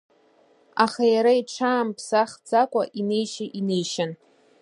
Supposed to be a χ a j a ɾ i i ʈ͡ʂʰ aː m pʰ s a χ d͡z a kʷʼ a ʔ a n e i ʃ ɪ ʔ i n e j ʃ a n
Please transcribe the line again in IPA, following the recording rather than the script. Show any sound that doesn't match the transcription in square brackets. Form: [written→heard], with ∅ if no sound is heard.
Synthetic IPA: a χ a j a ɾ [i→a] i ʈ͡ʂʰ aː m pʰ s a χ d͡z a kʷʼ a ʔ [a→i] n e [i→j] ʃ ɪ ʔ i n e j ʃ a n